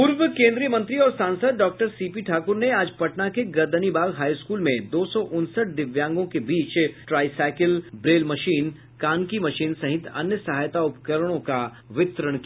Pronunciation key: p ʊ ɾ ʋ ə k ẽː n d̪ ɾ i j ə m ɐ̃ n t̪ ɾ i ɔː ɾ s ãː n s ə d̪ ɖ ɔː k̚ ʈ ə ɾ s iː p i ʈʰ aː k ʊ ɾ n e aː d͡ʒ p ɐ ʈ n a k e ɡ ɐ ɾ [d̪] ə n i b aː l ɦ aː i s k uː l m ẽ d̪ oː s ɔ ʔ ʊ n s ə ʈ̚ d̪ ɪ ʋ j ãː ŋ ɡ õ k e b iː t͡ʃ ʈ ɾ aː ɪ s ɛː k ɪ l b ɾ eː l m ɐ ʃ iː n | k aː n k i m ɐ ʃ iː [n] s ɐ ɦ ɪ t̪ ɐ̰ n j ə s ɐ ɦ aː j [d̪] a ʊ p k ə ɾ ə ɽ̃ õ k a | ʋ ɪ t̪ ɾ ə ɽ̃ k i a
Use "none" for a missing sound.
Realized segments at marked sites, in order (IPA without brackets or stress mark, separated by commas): d̪, n, t̪